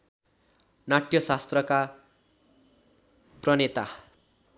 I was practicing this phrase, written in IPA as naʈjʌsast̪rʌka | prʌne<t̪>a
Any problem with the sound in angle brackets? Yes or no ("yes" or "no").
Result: no